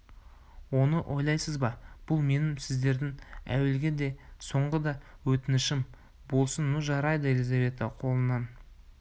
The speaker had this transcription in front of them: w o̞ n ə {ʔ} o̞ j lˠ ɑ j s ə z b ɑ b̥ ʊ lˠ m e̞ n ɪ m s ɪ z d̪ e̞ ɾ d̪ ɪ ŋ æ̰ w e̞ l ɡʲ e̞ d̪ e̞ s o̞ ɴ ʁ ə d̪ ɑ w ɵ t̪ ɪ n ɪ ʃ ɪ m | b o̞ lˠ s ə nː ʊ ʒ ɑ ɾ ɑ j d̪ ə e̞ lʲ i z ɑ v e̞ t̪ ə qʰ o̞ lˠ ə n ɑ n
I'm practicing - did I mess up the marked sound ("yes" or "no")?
no